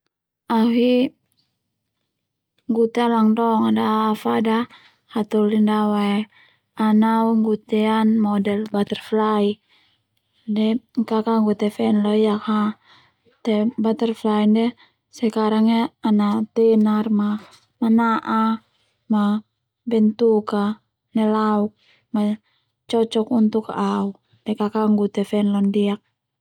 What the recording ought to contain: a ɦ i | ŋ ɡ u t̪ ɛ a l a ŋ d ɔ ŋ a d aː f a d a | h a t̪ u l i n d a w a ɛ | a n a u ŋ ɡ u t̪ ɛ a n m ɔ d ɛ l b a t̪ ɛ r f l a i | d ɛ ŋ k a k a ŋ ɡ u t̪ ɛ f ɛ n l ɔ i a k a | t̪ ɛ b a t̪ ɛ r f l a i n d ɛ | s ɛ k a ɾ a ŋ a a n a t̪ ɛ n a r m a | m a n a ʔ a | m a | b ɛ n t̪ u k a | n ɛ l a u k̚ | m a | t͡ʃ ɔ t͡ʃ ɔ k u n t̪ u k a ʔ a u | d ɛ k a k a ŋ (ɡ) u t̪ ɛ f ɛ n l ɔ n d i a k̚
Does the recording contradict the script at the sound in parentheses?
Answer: no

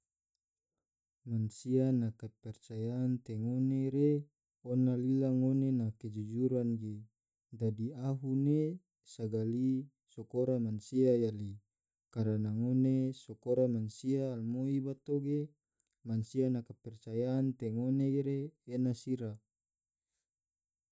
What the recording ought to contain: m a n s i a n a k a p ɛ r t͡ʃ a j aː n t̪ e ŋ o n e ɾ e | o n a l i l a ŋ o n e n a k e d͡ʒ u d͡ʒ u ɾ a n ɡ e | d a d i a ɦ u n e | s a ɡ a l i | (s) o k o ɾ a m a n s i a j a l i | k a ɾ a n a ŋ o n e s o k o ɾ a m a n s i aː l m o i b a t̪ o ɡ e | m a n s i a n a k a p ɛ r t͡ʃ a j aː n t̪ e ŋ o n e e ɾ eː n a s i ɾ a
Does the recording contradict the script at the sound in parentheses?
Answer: no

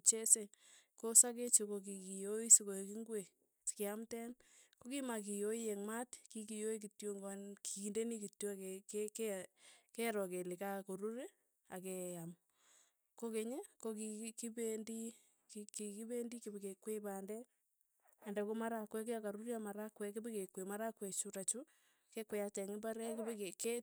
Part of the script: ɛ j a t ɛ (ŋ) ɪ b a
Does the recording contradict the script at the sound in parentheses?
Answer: no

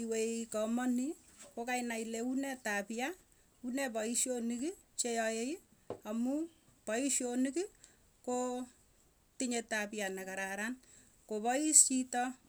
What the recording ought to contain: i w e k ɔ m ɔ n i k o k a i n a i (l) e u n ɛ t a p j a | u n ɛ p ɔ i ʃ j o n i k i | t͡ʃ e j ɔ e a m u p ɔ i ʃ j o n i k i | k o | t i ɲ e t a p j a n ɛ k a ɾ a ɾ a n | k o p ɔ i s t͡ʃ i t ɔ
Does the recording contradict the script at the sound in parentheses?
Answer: no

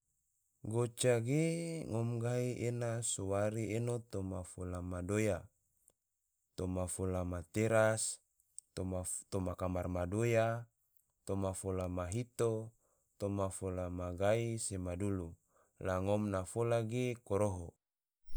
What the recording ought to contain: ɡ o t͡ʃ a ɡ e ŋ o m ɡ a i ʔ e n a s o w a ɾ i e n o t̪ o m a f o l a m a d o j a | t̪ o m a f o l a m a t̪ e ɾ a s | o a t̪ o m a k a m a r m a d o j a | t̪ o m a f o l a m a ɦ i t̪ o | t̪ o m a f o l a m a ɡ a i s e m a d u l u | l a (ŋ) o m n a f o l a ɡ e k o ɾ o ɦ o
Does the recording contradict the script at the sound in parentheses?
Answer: no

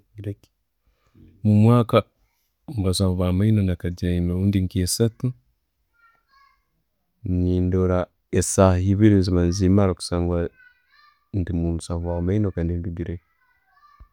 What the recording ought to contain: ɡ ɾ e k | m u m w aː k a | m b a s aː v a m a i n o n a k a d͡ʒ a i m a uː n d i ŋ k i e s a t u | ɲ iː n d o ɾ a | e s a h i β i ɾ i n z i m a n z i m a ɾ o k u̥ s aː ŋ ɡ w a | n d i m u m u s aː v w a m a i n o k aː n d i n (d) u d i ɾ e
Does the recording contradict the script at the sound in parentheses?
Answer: no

